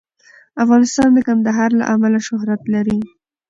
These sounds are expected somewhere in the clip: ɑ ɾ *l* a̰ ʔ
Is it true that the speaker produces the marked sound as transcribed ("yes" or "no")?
yes